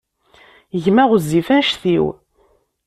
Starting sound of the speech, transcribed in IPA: ʝ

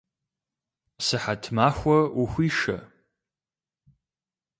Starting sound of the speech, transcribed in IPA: s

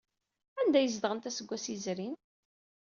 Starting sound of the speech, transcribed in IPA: æ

